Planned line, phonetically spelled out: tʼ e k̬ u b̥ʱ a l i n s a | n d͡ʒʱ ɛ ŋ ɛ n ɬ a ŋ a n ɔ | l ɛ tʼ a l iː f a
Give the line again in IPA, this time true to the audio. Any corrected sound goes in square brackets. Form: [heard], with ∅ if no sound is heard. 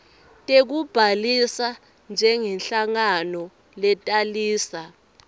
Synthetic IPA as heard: tʼ e k̬ u b̥ʱ a l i [∅] s a | n d͡ʒʱ ɛ ŋ ɛ n ɬ a ŋ a n ɔ | l ɛ tʼ a l iː [s] a